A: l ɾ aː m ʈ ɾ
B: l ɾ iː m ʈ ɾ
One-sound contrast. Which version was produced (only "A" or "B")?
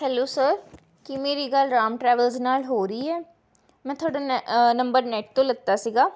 A